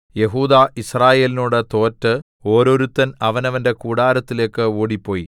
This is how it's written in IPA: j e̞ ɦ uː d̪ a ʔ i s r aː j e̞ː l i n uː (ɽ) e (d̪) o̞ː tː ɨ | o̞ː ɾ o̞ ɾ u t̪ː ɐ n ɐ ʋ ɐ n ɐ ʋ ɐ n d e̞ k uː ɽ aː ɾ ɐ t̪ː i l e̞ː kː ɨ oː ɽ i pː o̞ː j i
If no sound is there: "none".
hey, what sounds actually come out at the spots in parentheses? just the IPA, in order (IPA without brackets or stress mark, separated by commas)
ɽ, t̪